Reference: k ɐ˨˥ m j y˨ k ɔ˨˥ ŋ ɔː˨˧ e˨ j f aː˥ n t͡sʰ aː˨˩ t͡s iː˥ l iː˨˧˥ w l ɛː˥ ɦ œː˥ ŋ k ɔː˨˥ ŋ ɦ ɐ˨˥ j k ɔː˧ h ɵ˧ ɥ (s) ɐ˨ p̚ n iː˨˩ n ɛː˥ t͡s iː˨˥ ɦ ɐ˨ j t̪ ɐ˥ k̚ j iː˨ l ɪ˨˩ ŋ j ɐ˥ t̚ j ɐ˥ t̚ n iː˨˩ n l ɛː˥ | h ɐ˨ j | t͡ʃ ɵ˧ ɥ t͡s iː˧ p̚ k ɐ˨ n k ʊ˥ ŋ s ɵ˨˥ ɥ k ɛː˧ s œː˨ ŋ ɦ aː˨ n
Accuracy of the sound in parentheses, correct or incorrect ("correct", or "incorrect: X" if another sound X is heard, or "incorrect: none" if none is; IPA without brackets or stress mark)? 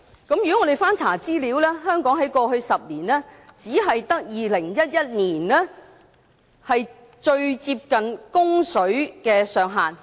correct